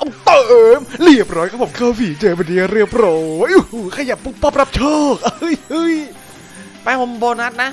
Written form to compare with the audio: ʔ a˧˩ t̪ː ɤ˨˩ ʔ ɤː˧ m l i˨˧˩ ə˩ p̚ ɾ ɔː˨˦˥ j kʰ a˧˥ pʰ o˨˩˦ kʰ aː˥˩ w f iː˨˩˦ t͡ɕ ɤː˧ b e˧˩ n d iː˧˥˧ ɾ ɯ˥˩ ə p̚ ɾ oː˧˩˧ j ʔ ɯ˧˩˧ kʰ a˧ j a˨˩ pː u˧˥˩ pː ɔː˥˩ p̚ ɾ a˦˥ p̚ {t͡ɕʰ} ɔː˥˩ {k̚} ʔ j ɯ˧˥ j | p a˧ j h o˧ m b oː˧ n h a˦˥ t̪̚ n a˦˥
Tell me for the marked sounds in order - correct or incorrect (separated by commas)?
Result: correct, correct